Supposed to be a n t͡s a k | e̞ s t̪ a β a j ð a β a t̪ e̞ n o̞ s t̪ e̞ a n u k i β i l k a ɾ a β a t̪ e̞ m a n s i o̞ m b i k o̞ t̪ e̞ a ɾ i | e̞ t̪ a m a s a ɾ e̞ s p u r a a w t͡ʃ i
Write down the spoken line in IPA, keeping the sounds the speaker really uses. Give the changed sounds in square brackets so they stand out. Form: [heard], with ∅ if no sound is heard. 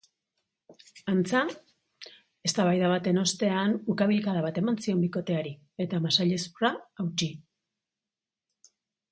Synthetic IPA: a n t͡s a [∅] | e̞ s t̪ a β a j ð a β a t̪ e̞ n o̞ s t̪ e̞ a n u k [a] β i l k a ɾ a β a t̪ e̞ m a n s i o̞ m b i k o̞ t̪ e̞ a ɾ i | e̞ t̪ a m a s a [ʎ] e̞ s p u r a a w t͡ʃ i